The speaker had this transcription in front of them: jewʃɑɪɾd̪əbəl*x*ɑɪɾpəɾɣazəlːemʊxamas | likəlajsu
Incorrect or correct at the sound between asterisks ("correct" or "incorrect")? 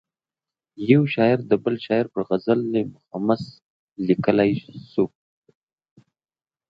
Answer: incorrect